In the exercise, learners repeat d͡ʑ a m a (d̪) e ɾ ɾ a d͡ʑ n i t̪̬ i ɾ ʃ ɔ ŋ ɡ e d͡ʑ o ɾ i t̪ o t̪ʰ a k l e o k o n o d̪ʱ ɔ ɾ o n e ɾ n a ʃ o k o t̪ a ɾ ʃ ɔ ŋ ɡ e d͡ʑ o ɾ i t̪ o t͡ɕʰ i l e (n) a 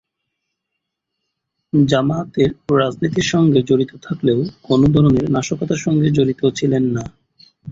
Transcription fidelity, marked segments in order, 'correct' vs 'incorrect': incorrect: t̪, incorrect: nː

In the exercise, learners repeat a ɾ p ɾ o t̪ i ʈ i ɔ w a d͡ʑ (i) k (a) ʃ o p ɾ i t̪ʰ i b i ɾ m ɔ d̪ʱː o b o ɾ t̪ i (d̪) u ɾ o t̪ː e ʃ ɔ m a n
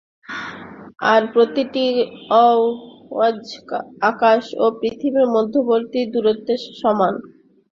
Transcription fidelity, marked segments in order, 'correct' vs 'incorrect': incorrect: a, correct, correct

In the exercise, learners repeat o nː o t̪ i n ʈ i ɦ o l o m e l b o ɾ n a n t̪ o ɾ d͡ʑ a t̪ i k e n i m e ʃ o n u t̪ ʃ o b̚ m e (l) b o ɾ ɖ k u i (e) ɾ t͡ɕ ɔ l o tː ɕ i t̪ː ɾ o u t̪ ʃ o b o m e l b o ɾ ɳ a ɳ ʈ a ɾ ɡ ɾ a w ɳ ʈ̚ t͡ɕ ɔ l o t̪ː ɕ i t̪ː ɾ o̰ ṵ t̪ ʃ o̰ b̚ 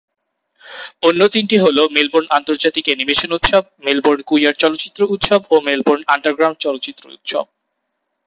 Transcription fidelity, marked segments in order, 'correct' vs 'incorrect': correct, incorrect: a

